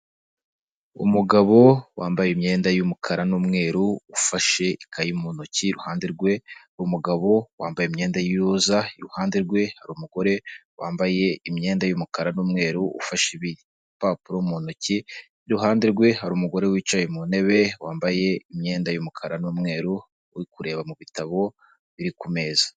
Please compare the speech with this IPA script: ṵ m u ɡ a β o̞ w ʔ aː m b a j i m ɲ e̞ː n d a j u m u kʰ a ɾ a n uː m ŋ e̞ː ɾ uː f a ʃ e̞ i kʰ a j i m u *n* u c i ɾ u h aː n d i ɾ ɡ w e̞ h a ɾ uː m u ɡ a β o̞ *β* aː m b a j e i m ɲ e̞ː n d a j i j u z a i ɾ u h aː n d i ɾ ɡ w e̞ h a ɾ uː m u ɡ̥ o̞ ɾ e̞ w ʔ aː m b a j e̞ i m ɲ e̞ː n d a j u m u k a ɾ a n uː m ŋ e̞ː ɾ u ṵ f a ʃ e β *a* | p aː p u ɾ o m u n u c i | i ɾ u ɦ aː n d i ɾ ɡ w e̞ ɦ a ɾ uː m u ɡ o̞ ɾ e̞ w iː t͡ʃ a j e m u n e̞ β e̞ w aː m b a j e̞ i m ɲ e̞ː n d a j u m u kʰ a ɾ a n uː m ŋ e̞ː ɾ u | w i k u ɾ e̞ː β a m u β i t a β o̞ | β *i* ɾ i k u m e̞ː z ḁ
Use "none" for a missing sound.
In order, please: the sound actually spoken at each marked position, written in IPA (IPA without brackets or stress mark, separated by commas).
n, w, i, i